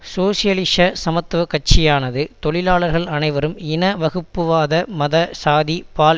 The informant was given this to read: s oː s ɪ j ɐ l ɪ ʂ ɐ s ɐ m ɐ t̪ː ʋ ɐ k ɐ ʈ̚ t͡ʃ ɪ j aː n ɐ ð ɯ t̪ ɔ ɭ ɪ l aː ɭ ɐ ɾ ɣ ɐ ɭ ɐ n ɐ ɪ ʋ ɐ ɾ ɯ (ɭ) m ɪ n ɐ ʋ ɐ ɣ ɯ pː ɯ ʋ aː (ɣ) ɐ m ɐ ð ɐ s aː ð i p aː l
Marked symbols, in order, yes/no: no, no

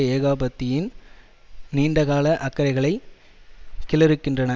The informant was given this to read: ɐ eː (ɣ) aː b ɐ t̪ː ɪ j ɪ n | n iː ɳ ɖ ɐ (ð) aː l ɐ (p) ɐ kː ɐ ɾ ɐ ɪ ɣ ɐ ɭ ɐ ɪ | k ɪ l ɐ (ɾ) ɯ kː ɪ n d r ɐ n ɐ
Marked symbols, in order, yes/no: yes, no, no, yes

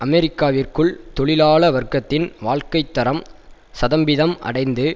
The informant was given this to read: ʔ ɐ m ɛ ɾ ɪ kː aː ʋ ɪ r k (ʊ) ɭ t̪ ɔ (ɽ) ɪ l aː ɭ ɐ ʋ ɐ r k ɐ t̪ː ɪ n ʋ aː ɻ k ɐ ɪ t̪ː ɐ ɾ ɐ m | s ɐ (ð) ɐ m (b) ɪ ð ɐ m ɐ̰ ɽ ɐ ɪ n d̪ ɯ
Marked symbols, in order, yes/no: no, no, yes, yes

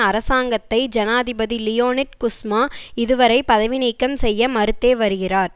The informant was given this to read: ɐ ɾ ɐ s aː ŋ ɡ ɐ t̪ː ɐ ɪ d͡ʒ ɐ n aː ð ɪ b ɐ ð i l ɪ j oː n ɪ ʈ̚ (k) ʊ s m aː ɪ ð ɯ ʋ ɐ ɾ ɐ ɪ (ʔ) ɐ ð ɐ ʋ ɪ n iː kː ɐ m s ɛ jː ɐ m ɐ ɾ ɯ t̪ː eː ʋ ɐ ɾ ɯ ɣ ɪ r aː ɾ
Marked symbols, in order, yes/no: yes, no

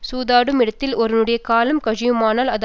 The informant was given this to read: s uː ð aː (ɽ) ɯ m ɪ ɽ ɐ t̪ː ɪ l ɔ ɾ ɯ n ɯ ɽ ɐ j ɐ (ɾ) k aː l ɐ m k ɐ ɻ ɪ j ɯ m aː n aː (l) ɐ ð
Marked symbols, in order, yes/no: yes, no, yes

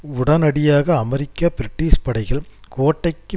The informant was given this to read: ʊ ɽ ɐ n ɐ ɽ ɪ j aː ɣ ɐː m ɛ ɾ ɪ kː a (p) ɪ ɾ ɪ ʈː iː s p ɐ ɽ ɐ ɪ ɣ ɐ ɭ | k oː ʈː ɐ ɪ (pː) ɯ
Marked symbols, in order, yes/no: yes, no

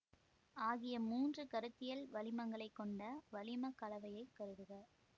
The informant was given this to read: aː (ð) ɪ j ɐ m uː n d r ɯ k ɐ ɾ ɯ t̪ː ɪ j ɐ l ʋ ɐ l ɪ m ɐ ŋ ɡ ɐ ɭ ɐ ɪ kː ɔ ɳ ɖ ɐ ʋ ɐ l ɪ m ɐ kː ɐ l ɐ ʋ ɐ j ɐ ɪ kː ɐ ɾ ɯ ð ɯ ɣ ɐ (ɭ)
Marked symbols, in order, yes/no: no, no

